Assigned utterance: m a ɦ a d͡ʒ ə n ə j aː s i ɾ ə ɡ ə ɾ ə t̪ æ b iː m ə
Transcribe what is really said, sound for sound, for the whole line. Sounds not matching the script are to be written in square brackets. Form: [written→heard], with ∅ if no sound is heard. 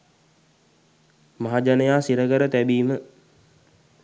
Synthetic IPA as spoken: m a ɦ a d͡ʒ [ə→a] n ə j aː s i ɾ ə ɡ ə ɾ ə t̪ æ b iː m ə